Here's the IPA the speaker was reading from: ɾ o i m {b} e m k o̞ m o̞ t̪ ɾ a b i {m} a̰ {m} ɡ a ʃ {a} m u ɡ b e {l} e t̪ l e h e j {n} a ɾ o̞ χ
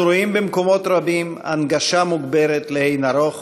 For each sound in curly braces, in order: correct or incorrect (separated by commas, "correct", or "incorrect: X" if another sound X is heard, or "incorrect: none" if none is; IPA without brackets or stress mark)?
correct, correct, incorrect: n, correct, incorrect: ɾ, correct